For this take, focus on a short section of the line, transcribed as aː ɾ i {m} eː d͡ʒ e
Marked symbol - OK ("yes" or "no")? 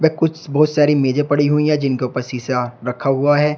yes